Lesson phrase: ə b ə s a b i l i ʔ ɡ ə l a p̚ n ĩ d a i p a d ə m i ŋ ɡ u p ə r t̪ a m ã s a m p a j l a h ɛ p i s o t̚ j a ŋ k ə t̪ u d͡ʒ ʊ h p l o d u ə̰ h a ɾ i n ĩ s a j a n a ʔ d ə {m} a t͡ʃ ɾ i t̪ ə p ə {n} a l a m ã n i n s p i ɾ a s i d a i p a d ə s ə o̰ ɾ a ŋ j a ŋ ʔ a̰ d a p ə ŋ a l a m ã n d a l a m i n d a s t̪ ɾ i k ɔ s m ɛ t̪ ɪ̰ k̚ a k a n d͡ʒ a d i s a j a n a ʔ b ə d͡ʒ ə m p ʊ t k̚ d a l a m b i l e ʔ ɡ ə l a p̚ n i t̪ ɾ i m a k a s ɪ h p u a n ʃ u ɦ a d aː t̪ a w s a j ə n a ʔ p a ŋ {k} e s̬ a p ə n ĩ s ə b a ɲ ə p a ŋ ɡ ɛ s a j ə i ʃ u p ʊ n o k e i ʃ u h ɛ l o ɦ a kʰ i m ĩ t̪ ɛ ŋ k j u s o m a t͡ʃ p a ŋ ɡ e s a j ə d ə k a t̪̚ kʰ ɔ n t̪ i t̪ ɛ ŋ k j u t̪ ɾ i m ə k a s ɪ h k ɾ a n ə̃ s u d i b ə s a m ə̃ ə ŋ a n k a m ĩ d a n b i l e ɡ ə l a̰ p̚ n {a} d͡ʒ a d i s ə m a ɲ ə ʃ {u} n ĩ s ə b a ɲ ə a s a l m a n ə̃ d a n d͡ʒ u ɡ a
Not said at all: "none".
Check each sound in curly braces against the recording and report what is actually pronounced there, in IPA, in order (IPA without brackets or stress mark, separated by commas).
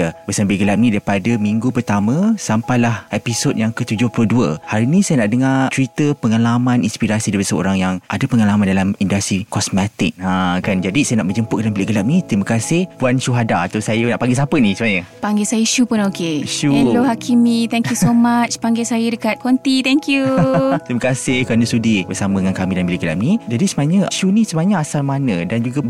ŋ, ŋ, ɡ, i, u